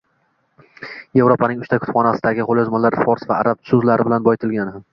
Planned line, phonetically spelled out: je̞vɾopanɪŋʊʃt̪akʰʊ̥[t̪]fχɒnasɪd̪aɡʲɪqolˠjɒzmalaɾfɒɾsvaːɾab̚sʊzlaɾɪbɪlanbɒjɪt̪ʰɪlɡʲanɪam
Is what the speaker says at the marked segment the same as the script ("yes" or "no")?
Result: yes